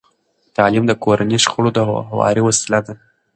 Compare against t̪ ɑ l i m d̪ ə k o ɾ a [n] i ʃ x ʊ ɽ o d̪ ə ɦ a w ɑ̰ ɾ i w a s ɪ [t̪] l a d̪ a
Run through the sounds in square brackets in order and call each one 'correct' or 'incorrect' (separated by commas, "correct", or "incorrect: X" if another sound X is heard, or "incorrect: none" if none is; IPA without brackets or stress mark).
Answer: correct, incorrect: none